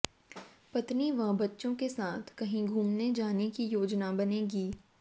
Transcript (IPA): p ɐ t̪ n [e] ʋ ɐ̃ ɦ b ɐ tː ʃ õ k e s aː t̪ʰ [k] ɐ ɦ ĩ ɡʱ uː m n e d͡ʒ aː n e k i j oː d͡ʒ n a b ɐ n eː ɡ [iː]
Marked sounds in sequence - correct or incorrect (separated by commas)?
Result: incorrect, correct, correct